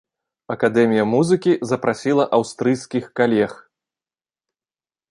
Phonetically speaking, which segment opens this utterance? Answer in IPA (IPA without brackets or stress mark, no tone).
ɐ